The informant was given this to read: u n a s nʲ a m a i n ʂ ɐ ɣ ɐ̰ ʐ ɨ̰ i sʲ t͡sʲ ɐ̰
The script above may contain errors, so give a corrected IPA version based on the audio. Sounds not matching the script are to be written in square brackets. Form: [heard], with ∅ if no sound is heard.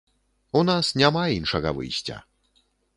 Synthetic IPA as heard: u n a s nʲ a m a i n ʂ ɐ ɣ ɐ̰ [v] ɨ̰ [j] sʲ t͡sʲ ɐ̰